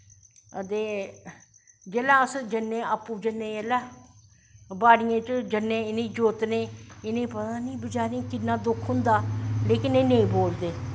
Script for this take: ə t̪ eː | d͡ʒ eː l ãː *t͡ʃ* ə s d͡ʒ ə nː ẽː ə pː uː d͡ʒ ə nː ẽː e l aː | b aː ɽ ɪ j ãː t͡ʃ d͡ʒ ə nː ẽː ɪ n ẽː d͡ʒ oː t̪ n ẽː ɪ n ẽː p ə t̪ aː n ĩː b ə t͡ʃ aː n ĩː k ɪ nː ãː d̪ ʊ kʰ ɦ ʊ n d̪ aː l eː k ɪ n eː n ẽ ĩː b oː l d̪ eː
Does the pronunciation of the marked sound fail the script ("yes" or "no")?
yes